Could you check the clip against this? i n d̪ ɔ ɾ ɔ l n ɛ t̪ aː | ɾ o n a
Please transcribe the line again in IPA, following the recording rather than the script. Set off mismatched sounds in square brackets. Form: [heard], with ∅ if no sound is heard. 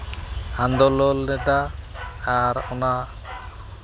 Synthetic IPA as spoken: [a] n d̪ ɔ [l] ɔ l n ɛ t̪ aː | ɾ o n a